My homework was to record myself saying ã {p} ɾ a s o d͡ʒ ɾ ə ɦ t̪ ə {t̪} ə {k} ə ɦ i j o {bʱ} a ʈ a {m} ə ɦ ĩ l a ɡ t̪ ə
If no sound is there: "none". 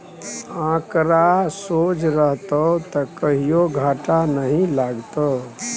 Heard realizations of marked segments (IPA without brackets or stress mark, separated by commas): k, t̪, k, ɡʱ, n